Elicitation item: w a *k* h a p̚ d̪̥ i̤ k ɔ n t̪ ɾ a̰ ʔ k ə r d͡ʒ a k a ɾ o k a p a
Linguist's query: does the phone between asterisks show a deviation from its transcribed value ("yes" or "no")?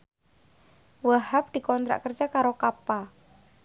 yes